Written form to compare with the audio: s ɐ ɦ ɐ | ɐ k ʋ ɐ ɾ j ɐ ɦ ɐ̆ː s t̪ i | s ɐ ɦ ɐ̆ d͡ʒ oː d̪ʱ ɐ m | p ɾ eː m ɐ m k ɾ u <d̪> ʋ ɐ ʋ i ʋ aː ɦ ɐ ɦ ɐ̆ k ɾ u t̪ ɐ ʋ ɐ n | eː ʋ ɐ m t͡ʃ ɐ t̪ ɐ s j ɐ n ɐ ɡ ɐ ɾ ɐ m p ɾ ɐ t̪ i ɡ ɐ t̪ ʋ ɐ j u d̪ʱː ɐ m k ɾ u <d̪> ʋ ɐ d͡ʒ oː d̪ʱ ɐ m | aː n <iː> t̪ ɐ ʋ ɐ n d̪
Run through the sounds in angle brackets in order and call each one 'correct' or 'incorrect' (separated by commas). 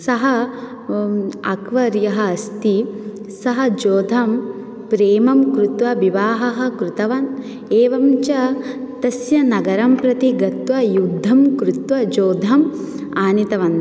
incorrect, incorrect, incorrect